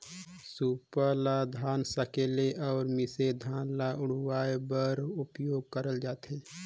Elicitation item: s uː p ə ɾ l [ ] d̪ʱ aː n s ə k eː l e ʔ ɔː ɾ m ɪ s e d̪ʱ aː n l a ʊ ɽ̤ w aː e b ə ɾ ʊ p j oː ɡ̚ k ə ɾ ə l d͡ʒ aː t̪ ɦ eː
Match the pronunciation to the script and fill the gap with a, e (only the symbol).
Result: a